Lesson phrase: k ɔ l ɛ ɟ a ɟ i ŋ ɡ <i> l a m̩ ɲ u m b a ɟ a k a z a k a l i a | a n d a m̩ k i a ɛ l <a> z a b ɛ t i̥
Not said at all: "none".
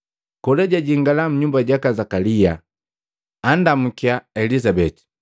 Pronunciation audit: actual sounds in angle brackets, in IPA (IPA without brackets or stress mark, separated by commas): a, i